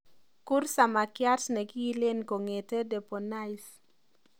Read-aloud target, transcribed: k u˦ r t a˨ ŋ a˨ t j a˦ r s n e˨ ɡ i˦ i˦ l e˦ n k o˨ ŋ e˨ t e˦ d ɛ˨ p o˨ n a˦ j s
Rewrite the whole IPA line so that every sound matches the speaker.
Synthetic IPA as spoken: k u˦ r s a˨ m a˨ k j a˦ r s n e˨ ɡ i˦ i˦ l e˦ n k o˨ ŋ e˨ t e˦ d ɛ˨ p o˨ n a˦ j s